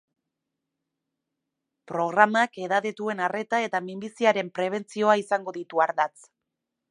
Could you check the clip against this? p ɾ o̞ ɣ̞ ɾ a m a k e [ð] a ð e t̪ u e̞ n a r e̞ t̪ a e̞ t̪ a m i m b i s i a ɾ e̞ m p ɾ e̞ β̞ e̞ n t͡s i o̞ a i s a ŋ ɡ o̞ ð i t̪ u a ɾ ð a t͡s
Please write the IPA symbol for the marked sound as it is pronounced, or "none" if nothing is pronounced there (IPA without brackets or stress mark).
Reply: ð